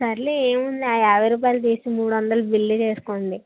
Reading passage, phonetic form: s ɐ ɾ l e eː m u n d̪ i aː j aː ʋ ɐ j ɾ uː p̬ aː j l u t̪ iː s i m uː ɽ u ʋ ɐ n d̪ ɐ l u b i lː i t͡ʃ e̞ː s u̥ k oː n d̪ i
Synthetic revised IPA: s ɐ ɾ l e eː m u n d̪ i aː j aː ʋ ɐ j ɾ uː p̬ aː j l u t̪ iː s i m uː ɽ u ʋ ɐ n d̪ ɐ l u b i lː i t͡ʃ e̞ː s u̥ k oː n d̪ i